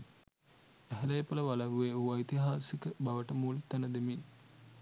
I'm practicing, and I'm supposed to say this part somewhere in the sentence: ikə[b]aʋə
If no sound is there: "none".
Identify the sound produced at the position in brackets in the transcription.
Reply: b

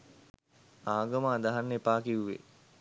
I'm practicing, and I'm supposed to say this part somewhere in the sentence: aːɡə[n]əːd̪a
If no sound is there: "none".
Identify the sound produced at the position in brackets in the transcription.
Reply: m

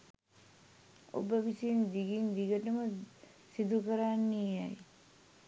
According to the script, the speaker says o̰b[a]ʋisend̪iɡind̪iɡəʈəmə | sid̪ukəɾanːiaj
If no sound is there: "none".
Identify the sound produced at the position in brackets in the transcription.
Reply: ə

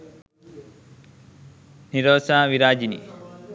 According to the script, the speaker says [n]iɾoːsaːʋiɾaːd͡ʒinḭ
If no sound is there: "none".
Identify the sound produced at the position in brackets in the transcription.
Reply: n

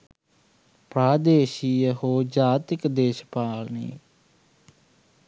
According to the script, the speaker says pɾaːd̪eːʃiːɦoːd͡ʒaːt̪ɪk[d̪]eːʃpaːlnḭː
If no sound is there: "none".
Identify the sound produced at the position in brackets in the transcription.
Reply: d̪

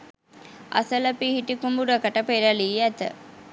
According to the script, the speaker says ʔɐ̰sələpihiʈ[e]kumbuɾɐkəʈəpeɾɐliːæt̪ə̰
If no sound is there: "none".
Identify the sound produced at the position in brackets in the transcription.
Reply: i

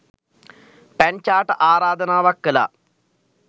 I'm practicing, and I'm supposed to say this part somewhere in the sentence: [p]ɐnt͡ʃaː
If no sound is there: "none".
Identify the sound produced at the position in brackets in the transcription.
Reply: p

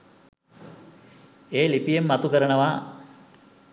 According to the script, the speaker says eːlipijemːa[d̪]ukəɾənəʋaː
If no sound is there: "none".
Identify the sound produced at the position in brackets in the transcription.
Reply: t̪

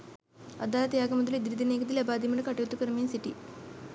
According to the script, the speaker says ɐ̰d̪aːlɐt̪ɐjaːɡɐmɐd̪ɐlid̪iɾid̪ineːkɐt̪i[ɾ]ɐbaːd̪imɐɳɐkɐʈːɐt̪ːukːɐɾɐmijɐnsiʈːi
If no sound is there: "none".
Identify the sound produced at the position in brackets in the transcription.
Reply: l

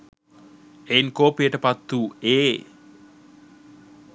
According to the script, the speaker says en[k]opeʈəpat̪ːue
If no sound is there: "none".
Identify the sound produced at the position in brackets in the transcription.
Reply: k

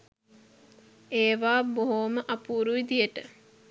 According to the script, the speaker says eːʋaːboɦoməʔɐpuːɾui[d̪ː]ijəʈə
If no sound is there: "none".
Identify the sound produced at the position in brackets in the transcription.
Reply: d̪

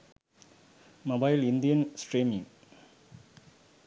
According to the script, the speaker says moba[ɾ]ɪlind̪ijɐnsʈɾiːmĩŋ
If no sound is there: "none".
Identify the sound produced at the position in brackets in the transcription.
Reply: none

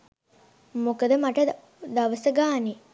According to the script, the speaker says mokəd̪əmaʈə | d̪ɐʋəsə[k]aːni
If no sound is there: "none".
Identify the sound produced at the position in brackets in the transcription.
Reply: ɡ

